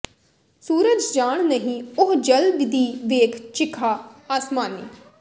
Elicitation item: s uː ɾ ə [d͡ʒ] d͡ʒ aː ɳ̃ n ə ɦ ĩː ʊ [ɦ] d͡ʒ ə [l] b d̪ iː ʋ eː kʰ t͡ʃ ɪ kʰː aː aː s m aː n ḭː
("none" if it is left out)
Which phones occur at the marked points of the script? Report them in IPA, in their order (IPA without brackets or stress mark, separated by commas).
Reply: d͡ʒ, ɦ, l